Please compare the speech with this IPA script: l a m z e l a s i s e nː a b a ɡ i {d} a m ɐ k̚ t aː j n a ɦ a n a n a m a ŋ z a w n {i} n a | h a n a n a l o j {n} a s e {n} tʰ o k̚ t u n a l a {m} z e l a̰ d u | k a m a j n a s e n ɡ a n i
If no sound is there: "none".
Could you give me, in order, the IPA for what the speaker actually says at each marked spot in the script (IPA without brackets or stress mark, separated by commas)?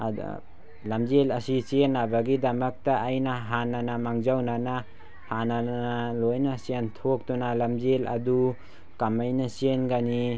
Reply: d, a, n, n, m